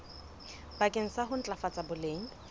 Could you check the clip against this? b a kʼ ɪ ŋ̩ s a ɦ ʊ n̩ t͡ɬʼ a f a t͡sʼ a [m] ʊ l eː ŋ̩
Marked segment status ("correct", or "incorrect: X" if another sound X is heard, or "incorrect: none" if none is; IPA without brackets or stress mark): incorrect: b